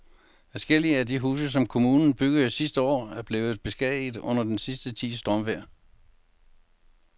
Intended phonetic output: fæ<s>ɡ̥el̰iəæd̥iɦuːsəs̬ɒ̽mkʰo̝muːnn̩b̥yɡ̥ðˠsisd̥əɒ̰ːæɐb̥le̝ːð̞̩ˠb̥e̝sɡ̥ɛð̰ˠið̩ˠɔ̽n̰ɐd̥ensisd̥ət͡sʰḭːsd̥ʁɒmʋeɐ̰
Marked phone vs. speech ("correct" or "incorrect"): correct